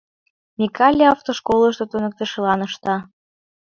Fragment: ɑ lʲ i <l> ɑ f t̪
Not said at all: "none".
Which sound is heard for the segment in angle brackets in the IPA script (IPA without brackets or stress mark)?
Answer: none